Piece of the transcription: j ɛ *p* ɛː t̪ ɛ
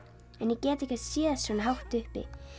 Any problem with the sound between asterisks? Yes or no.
yes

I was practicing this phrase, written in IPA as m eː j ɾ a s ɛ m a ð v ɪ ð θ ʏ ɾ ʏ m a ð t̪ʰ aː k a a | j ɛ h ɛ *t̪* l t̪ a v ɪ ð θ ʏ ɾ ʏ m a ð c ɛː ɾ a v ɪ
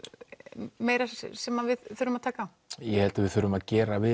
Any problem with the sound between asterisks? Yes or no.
yes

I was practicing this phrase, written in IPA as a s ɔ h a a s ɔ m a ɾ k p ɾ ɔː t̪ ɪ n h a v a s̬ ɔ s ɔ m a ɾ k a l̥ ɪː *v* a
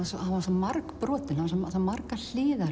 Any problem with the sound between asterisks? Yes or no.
yes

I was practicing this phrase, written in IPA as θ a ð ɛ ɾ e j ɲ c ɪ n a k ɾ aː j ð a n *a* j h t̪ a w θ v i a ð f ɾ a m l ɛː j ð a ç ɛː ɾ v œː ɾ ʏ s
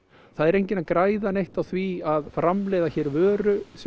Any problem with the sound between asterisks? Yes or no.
yes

